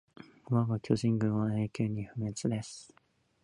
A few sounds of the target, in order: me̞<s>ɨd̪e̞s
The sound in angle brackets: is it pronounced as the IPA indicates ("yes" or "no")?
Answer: no